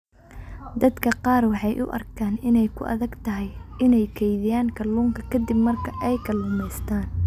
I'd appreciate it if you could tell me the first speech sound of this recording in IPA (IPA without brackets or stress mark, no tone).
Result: d̪